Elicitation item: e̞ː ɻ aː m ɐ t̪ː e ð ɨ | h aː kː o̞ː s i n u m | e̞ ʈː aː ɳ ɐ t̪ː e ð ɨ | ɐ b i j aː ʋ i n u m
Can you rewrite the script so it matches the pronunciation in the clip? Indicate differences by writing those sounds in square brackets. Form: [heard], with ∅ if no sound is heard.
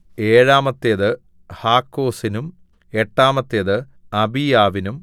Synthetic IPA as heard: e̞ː ɻ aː m ɐ t̪ː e ð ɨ | h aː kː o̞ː s i n u m | e̞ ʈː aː [m] ɐ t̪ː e ð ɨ | ɐ b i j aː ʋ i n u m